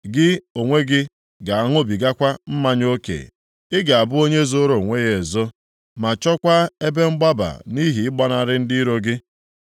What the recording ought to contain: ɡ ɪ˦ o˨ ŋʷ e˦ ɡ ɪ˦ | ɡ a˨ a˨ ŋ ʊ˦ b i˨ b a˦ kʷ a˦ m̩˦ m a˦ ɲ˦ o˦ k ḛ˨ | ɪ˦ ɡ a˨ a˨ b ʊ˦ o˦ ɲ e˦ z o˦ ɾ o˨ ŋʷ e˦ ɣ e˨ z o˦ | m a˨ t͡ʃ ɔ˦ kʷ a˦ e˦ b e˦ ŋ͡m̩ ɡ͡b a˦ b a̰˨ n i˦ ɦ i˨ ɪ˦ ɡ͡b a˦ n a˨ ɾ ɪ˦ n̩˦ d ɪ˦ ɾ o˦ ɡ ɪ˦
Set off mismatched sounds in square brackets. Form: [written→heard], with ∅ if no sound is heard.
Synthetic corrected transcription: ɡ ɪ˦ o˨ ŋʷ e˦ ɡ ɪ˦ | ɡ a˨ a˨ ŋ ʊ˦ b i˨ [b→ɡ] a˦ kʷ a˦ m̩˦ m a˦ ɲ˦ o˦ k ḛ˨ | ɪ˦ ɡ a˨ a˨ b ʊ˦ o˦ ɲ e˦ z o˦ ɾ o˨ ŋʷ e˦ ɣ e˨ z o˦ | m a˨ t͡ʃ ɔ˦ kʷ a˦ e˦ b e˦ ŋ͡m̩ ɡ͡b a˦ b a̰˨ n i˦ ɦ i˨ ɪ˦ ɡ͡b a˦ n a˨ ɾ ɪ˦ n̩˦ d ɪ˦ ɾ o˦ ɡ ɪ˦